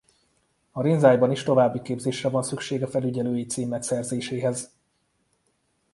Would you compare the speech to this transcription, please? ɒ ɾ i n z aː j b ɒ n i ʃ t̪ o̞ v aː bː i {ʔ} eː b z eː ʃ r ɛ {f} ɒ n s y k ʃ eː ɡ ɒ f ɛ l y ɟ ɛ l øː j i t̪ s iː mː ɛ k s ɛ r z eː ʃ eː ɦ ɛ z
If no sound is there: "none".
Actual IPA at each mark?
k, v

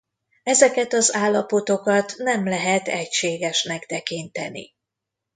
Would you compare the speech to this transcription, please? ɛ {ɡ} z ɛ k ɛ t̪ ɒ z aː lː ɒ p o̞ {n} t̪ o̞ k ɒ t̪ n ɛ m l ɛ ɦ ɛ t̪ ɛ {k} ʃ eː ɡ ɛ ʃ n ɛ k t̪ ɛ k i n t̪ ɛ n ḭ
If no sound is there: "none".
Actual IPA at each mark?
none, none, c

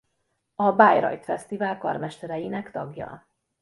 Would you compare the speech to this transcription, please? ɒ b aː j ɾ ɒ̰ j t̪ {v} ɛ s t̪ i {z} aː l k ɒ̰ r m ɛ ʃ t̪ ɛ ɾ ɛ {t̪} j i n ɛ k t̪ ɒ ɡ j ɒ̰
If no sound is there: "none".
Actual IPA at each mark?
f, v, none

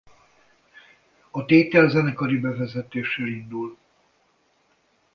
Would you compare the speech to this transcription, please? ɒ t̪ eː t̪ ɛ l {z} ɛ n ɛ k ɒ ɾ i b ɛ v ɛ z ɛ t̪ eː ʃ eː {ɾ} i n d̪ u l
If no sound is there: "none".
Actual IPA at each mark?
z, l

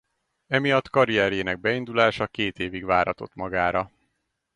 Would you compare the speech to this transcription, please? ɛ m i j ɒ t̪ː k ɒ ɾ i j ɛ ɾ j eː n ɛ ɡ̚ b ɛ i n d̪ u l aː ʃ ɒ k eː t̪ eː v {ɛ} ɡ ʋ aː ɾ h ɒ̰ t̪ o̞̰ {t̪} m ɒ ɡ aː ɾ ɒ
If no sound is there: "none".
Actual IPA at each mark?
i, t̪

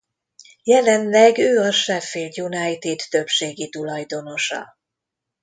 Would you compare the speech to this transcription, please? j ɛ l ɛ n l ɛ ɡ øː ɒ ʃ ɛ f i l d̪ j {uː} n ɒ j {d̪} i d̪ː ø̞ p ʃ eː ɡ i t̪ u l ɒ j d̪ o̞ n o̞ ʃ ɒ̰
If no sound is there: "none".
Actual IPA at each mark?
u, t̪

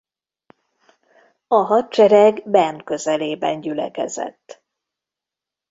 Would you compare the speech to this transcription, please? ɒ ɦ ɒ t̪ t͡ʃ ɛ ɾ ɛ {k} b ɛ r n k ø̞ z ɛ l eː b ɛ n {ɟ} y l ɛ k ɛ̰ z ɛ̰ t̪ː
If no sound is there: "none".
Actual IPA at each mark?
ɡ, ɟ

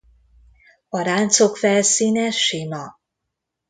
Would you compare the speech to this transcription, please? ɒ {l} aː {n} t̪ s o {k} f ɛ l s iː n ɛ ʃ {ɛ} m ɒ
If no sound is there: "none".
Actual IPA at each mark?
ɾ, n, k, i

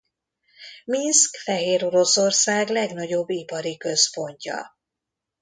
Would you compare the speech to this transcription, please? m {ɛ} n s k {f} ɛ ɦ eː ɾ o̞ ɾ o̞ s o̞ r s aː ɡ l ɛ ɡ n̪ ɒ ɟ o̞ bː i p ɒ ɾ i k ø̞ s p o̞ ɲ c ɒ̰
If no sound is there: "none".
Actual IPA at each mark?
i, f

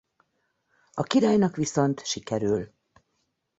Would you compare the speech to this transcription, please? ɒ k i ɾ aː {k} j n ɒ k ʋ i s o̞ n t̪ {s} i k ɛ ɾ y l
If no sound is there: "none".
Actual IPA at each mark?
none, ʃ

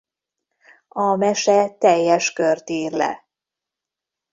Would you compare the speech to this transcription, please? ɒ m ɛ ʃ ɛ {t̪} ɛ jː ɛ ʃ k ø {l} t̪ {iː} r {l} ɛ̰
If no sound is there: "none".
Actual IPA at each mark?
t̪, r, iː, l

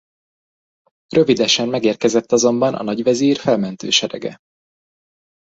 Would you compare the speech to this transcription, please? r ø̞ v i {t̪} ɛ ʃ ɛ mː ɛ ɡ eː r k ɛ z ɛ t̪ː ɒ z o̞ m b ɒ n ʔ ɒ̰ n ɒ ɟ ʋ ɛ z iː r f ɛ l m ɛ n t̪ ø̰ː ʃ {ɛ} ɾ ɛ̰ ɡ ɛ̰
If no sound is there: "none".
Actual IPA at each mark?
d̪, ɛ

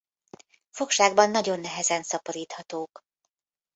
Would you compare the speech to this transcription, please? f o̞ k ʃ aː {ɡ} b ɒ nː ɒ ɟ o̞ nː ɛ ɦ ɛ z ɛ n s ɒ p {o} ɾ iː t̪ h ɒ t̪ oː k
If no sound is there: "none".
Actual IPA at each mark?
ɡ, o

